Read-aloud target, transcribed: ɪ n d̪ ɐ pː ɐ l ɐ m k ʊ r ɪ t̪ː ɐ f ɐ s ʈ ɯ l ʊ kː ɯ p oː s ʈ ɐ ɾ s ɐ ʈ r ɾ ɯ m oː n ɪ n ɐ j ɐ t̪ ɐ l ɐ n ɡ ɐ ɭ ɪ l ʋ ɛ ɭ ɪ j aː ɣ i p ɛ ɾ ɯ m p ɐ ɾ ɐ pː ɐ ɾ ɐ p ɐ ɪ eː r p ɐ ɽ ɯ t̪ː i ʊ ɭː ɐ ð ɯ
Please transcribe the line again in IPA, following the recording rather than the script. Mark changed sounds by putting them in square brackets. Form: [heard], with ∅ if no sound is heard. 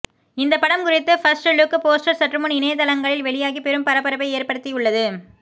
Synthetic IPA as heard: ɪ n d̪ ɐ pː ɐ [ɽ] ɐ m k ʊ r ɪ t̪ː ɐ f ɐ s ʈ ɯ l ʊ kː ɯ p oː s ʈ ɐ ɾ s ɐ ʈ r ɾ ɯ m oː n ɪ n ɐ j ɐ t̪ ɐ l ɐ [ŋ] ɡ ɐ ɭ ɪ l ʋ ɛ ɭ ɪ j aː ɣ i p ɛ ɾ ɯ m p ɐ ɾ ɐ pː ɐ ɾ ɐ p ɐ ɪ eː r p ɐ ɽ ɯ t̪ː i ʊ ɭː ɐ ð ɯ